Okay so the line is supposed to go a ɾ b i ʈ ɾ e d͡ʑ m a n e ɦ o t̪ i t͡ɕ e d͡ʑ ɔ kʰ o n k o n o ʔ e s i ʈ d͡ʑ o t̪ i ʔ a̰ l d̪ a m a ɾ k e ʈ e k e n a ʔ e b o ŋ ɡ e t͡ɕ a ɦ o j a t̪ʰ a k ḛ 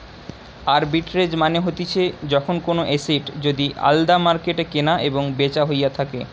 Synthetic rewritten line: a ɾ b i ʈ ɾ e d͡ʑ m a n e ɦ o t̪ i t͡ɕʰ e d͡ʑ ɔ kʰ o n k o n o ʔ e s i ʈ d͡ʑ o d̪ i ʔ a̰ l d̪ a m a ɾ k e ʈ e k e n a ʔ e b o ŋ b e t͡ɕ a ɦ o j a t̪ʰ a k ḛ